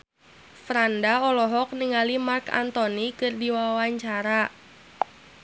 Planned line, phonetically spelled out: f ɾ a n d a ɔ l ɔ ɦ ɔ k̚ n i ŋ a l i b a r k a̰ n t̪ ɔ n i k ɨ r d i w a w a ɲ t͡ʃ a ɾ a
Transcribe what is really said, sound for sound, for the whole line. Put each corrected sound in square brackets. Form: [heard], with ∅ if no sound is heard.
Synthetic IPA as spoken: f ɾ a n d a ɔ l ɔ ɦ ɔ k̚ n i ŋ a l i [m] a r k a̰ n t̪ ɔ n i k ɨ r d i w a w a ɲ t͡ʃ a ɾ a

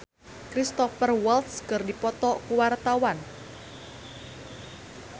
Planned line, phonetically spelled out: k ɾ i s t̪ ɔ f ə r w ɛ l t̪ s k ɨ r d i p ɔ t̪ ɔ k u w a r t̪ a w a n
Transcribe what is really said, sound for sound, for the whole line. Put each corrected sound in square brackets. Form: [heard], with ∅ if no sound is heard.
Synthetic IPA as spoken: k ɾ i s t̪ ɔ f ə r w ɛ l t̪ s k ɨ r d i p ɔ t̪ ɔ k u w a r t̪ a w a n

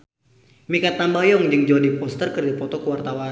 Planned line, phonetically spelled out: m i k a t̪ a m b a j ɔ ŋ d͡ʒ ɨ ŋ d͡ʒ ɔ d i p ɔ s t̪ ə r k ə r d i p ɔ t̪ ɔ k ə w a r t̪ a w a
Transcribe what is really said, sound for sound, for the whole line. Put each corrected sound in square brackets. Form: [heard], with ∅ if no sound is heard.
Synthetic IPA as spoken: m i k a t̪ a m b a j ɔ ŋ d͡ʒ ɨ ŋ d͡ʒ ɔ d i p ɔ s t̪ ə r k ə r d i p ɔ t̪ ɔ k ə w a r t̪ a w a

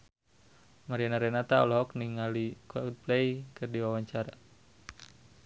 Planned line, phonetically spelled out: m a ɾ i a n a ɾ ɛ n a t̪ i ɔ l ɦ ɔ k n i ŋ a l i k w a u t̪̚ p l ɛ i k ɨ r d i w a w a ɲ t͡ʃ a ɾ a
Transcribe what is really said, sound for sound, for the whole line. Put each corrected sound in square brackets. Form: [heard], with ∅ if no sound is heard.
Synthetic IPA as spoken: m a ɾ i a n a ɾ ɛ n a t̪ [a] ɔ l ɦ ɔ k n i ŋ a l i k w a u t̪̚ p l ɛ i k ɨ r d i w a w a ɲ t͡ʃ a ɾ a

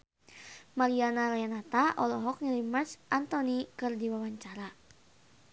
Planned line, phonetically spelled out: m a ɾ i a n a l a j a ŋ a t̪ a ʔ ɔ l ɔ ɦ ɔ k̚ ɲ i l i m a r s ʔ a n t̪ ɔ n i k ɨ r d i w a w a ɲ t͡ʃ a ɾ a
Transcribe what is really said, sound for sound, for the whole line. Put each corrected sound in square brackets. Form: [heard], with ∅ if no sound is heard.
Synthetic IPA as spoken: m a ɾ i a n a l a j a [n] a t̪ a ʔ ɔ l ɔ ɦ ɔ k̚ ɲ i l i m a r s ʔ a n t̪ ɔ n i k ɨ r d i w a w a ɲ t͡ʃ a ɾ a

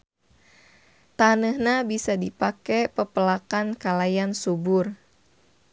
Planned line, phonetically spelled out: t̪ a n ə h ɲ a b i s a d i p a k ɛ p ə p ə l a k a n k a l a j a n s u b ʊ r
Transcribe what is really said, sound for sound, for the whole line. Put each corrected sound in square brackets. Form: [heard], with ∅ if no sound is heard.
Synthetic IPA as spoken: t̪ a n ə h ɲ a b i s a d i p a k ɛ p ə p ə l a k a n k a l a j a n s u b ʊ r

